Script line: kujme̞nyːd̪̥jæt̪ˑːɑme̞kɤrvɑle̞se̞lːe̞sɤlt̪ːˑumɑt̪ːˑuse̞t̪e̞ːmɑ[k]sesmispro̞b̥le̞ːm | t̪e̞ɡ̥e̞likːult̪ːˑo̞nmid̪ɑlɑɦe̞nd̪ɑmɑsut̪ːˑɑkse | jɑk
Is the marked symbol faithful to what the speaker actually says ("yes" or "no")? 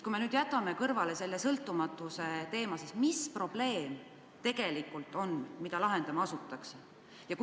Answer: no